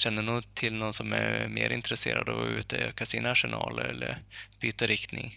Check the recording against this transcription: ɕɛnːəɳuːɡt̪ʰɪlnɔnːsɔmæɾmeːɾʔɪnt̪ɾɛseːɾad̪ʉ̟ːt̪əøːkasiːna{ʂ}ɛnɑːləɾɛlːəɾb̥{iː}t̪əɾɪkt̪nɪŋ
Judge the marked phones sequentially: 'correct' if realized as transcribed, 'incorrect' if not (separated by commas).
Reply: correct, incorrect